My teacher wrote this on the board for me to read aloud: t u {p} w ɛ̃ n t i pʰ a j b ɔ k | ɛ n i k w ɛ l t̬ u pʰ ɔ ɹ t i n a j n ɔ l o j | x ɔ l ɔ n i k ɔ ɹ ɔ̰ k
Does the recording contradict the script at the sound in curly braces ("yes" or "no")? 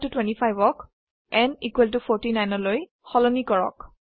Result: yes